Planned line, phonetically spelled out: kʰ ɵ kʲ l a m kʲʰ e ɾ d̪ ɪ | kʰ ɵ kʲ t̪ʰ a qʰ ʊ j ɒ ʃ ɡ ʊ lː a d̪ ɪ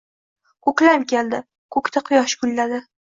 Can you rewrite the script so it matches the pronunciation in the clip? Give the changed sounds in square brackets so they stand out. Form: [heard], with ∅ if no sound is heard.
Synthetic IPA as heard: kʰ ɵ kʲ l a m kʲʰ e [l] d̪ ɪ | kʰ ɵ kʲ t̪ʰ a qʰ ʊ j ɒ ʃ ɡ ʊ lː a d̪ ɪ